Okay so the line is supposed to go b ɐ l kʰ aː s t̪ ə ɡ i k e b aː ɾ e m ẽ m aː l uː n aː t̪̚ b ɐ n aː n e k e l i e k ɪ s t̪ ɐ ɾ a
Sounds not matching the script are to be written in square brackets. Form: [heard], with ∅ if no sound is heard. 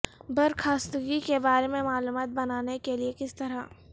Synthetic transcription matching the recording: b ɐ [ɾ] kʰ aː s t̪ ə ɡ i k e b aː ɾ e m ẽ m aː l uː [m] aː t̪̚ b ɐ n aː n e k e l i e k ɪ s t̪ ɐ ɾ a